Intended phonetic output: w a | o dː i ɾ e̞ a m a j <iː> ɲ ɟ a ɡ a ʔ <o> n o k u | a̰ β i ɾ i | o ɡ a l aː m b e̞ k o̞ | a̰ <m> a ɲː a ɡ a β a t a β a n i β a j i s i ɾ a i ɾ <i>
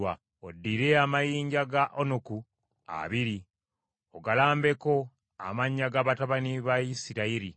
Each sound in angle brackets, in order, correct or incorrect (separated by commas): correct, correct, correct, correct